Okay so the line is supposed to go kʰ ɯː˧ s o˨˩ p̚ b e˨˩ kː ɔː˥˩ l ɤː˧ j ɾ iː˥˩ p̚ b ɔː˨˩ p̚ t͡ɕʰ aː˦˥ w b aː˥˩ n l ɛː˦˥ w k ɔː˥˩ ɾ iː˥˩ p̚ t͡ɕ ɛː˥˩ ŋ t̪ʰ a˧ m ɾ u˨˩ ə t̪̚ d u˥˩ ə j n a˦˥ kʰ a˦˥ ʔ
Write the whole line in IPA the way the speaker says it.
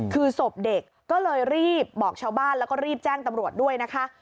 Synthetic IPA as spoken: kʰ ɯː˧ s o˨˩ p̚ d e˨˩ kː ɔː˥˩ l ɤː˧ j ɾ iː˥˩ p̚ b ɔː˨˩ k̚ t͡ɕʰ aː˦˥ w b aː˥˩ n l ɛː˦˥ w k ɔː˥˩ ɾ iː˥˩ p̚ t͡ɕ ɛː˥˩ ŋ t̪ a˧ m ɾ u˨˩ ə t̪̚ d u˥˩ ə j n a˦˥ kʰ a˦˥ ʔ